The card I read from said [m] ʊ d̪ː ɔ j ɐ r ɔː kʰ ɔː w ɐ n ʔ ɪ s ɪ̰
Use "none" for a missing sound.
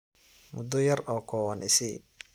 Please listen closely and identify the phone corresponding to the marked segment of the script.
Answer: m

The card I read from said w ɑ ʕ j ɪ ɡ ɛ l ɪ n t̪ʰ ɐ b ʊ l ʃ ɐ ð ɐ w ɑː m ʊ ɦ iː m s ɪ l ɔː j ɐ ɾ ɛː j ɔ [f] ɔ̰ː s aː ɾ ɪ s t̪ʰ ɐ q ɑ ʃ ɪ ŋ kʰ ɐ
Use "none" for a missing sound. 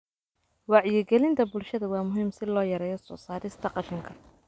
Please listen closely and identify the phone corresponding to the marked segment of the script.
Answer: s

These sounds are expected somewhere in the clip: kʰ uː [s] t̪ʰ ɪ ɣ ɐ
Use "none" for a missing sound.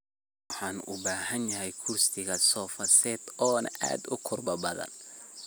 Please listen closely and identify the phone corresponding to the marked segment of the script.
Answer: s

